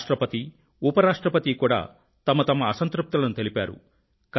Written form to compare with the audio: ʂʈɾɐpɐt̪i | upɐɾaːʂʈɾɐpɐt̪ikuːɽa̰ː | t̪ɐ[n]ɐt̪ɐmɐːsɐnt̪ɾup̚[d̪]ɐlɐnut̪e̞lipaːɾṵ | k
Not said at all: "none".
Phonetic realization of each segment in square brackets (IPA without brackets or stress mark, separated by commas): m, t̪